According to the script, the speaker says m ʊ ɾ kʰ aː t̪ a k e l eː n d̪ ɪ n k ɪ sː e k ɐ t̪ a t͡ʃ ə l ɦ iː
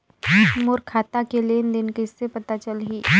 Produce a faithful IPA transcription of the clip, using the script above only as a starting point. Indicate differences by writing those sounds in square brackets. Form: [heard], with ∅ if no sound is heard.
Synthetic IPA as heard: m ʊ ɾ kʰ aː t̪ a k e l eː n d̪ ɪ n k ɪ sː e [p] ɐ t̪ a t͡ʃ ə l ɦ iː